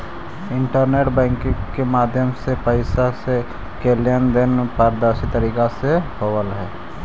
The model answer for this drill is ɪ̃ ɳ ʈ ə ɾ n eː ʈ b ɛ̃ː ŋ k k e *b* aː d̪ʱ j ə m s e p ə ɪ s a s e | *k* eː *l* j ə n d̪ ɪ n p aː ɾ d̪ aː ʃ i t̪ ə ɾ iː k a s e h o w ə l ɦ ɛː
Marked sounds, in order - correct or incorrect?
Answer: incorrect, correct, correct

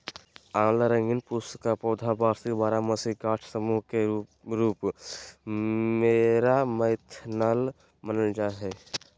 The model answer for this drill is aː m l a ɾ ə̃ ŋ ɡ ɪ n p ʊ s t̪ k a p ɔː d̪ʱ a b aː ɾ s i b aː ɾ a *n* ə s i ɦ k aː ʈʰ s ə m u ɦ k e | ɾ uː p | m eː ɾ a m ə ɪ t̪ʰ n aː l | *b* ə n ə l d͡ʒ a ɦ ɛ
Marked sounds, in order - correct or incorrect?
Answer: incorrect, incorrect

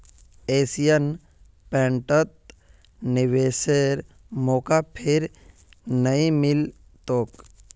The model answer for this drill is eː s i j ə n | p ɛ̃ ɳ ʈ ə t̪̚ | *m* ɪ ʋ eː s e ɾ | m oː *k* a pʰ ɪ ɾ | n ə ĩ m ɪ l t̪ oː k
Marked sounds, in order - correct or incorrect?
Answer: incorrect, correct

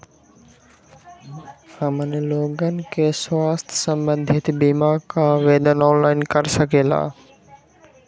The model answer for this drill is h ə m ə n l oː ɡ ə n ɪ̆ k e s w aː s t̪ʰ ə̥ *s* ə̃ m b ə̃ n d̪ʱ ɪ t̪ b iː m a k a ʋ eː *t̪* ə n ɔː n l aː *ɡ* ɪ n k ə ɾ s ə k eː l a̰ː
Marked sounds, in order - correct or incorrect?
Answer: correct, incorrect, incorrect

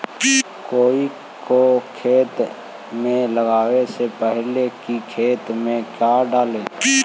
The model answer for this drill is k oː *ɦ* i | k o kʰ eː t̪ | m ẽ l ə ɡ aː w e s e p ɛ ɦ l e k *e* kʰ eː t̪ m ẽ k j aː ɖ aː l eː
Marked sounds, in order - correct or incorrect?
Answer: incorrect, incorrect

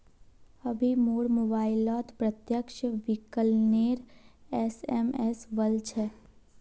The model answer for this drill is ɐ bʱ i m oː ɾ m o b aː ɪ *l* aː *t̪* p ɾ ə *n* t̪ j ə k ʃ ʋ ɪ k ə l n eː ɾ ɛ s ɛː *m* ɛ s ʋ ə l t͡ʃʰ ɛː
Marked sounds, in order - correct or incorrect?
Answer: correct, correct, incorrect, correct

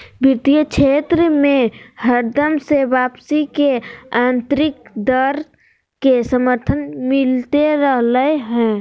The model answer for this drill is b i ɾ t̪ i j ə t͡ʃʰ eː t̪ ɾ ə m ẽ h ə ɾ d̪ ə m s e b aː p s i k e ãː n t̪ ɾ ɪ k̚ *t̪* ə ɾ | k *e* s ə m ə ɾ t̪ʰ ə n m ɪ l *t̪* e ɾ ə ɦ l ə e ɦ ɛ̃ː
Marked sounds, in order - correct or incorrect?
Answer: incorrect, correct, correct

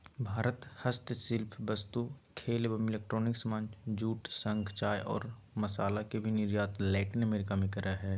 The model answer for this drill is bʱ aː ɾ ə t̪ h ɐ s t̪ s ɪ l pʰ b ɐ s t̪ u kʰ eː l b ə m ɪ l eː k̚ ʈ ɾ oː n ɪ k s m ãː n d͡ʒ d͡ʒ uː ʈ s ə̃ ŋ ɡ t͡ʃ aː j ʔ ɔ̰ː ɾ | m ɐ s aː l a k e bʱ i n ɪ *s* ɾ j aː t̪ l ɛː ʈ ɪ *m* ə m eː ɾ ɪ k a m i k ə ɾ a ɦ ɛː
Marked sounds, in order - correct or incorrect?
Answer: incorrect, incorrect

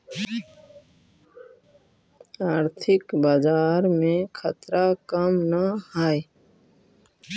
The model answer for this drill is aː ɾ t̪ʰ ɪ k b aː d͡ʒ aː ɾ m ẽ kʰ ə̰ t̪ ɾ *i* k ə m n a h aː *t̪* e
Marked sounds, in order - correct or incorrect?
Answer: incorrect, incorrect

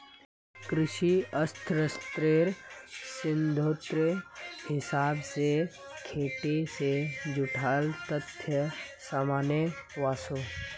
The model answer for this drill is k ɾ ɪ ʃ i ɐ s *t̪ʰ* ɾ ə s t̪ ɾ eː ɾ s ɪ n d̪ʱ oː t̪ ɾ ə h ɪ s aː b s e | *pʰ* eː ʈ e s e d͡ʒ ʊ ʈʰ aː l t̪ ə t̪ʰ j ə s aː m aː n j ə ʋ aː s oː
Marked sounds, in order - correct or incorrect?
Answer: correct, incorrect

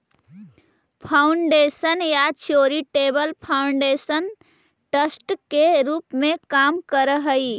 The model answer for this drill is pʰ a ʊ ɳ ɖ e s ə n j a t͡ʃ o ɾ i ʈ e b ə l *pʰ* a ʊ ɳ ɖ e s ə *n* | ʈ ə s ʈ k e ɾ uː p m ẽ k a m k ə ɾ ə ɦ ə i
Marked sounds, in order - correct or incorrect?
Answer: correct, correct

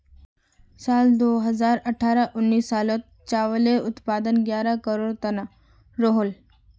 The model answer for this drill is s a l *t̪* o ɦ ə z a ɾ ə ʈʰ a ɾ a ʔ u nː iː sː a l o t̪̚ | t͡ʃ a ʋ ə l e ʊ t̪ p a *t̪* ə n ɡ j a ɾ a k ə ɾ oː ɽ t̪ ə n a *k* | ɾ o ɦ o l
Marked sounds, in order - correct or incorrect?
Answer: incorrect, incorrect, incorrect

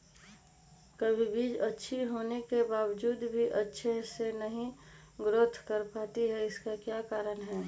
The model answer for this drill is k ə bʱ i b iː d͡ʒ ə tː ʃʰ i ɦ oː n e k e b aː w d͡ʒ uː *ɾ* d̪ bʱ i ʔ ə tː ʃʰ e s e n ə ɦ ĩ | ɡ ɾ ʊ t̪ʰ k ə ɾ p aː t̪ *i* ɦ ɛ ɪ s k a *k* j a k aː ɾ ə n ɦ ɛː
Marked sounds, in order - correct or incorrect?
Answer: incorrect, correct, correct

